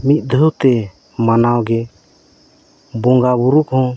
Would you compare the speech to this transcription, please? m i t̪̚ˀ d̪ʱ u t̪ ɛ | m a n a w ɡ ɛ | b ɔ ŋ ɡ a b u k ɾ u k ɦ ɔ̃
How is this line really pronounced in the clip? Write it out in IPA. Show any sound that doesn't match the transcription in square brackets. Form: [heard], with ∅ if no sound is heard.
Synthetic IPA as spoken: m i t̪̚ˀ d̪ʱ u t̪ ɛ | m a n a w ɡ ɛ | b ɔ ŋ ɡ a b u [∅] ɾ u k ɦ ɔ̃

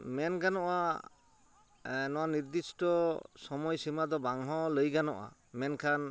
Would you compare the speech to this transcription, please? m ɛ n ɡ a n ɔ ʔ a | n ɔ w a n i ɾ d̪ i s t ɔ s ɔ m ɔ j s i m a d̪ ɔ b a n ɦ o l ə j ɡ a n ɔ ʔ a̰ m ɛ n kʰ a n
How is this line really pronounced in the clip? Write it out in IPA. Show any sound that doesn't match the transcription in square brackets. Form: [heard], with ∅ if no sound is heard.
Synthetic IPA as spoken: m ɛ n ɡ a n ɔ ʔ a | n ɔ w a n i ɾ d̪ i s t ɔ s ɔ m ɔ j s i m a d̪ ɔ b a [ŋ] ɦ [ɔ] l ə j ɡ a n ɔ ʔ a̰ m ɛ n kʰ a n

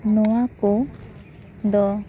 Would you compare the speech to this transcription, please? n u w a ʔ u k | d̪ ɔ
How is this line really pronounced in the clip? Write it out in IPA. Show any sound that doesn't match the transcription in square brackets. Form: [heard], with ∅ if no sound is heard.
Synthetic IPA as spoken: n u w a [k] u [∅] | d̪ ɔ

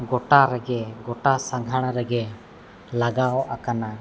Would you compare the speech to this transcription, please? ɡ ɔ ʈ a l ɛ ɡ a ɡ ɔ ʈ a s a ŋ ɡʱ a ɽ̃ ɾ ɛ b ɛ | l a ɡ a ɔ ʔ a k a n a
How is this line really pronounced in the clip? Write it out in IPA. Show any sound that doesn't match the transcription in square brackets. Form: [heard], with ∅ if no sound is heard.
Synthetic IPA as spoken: ɡ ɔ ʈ a [ɾ] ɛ ɡ [ɛ] ɡ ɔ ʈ a s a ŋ ɡʱ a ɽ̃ ɾ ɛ [ɡ] ɛ | l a ɡ a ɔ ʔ a k a n a

